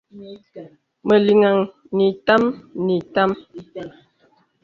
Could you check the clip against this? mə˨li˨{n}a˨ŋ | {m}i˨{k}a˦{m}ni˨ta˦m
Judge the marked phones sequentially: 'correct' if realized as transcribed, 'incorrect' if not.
incorrect, incorrect, incorrect, correct

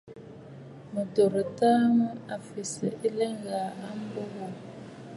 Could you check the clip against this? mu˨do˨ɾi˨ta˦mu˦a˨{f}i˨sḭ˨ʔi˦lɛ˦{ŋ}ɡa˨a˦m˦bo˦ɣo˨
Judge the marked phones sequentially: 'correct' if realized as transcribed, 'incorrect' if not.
correct, correct

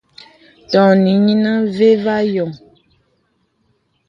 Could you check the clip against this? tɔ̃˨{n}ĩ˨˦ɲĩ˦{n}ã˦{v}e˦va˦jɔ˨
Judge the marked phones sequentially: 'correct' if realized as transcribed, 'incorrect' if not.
correct, correct, correct

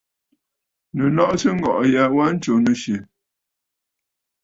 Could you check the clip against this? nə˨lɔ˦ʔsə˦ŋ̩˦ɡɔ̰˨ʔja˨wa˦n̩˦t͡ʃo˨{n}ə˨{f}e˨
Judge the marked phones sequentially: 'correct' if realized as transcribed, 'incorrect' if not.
correct, incorrect

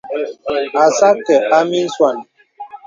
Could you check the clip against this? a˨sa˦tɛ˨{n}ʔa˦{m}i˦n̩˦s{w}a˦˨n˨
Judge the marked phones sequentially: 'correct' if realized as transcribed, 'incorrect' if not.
incorrect, correct, correct

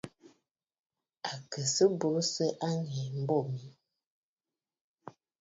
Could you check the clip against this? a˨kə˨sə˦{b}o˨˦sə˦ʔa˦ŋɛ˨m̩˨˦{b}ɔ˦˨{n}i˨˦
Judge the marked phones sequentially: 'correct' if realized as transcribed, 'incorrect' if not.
correct, correct, incorrect

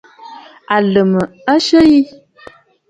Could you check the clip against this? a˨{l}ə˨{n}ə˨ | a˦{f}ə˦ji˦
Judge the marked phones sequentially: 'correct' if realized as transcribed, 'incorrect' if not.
correct, incorrect, incorrect

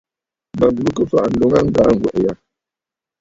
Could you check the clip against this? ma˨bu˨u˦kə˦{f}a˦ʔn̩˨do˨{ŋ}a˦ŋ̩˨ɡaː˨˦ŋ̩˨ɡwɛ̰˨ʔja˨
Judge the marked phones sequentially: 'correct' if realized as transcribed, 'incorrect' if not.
correct, correct

